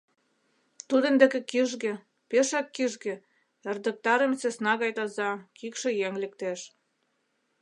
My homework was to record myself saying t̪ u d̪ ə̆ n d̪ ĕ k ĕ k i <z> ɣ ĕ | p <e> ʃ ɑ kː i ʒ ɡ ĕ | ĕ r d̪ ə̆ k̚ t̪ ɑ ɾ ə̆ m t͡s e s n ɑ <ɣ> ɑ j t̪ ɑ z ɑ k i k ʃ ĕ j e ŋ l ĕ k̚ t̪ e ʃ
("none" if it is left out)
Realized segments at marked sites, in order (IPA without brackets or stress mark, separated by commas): ʒ, e, ɣ